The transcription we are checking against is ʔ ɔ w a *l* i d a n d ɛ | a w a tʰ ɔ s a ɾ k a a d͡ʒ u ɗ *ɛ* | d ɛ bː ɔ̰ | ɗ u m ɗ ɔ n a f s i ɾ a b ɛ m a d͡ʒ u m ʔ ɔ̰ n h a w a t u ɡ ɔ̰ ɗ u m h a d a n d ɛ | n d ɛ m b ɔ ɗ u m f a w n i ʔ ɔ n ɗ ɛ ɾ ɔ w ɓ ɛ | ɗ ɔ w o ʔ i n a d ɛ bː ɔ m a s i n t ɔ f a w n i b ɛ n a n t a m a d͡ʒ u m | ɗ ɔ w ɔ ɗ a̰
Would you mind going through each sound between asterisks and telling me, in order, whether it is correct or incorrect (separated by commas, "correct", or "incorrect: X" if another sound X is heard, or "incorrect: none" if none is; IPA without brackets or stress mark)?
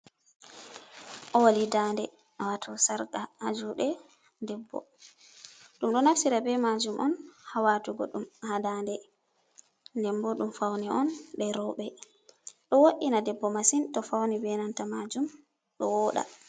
correct, correct